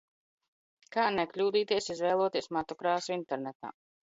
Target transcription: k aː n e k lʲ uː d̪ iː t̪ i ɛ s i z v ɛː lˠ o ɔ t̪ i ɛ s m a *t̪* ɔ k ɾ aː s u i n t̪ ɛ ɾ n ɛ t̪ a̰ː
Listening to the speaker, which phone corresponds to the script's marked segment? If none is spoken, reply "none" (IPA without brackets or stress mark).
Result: t̪